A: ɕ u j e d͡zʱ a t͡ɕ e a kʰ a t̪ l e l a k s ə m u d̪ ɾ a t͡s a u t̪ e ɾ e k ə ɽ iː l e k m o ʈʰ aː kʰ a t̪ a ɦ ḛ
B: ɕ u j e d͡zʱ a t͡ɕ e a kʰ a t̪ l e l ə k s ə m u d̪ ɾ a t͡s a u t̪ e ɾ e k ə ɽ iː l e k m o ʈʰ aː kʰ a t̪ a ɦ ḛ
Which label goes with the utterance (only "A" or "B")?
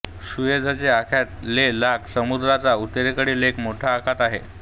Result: A